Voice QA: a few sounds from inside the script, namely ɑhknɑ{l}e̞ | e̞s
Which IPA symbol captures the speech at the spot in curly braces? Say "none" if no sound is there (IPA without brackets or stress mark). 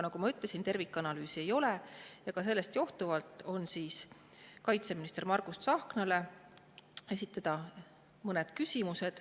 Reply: l